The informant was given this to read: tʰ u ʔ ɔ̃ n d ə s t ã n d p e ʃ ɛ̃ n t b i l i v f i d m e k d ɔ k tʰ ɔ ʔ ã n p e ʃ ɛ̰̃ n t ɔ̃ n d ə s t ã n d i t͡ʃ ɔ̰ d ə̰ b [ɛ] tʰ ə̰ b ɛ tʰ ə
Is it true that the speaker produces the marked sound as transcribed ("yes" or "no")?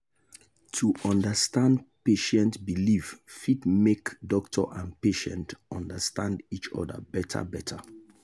yes